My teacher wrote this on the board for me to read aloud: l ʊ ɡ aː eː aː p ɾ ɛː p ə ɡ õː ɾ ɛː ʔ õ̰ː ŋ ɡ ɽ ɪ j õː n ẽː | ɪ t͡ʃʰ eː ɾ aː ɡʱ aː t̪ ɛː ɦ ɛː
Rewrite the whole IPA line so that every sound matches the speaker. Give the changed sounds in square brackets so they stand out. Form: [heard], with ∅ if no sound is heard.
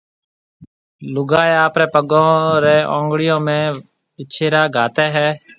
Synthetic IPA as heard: l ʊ ɡ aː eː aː p ɾ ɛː p ə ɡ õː ɾ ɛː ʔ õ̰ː ŋ ɡ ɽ ɪ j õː [m] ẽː | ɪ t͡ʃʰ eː ɾ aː ɡʱ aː t̪ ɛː ɦ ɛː